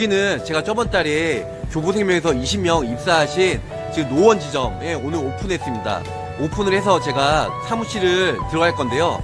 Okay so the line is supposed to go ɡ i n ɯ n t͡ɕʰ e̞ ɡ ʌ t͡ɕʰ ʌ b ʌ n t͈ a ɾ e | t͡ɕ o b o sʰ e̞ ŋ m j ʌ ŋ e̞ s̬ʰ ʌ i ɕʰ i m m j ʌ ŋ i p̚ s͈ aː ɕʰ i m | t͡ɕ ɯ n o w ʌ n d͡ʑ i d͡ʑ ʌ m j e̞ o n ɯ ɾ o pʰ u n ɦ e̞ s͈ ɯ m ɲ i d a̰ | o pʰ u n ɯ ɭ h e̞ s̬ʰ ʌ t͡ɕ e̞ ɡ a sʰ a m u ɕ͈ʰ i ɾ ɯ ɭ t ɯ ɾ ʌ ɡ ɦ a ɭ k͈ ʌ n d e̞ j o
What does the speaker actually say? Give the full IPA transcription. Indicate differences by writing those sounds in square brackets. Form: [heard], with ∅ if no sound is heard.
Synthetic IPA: ɡ i n ɯ n [t͡ɕ] e̞ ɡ [a] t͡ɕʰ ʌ b ʌ n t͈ a ɾ e | t͡ɕ o b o sʰ e̞ ŋ m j ʌ ŋ e̞ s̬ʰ ʌ i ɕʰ i m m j ʌ ŋ i p̚ s͈ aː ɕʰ i [n] | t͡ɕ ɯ n o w ʌ n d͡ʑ i d͡ʑ ʌ m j e̞ o n ɯ ɾ o pʰ u n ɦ e̞ s͈ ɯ m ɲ i d a̰ | o pʰ u n ɯ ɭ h e̞ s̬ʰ ʌ t͡ɕ e̞ ɡ a sʰ a m u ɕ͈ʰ i ɾ ɯ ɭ t ɯ ɾ ʌ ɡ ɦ a ɭ k͈ ʌ n d e̞ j o

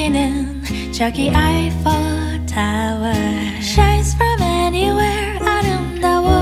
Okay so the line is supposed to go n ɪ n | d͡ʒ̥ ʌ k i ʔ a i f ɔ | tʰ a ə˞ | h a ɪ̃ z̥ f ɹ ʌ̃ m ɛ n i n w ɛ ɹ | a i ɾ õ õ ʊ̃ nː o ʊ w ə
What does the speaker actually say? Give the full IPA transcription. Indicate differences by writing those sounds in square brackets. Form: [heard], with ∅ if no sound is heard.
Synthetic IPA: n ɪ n | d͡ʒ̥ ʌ k i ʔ a [ɪ] f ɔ | tʰ a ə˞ | [ʃ] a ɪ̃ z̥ f ɹ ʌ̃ m ɛ n i [∅] w ɛ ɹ | a [ɪ] ɾ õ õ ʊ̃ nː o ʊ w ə

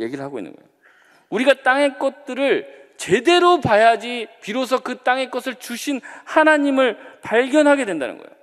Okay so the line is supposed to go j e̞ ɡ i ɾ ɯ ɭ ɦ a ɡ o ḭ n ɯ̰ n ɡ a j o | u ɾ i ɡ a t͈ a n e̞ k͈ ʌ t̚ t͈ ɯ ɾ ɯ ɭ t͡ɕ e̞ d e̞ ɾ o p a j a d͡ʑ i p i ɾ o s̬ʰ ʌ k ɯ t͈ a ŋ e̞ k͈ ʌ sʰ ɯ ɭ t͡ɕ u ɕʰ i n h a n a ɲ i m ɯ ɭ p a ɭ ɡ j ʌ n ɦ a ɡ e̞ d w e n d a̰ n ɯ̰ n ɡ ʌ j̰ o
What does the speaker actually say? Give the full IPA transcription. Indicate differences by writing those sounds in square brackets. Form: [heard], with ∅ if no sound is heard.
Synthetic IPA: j e̞ ɡ i ɾ ɯ ɭ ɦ a ɡ o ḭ [nː] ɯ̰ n ɡ [ʌ] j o | u ɾ i ɡ a t͈ a [ŋ] e̞ k͈ ʌ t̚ t͈ ɯ ɾ ɯ ɭ t͡ɕ e̞ d e̞ ɾ o p a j a d͡ʑ i p i ɾ o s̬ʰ ʌ k ɯ t͈ a ŋ e̞ k͈ ʌ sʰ ɯ ɭ t͡ɕ u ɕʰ i n h a n a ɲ i m ɯ ɭ p a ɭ ɡ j ʌ n ɦ a ɡ e̞ d w e n d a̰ n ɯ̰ n ɡ ʌ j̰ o

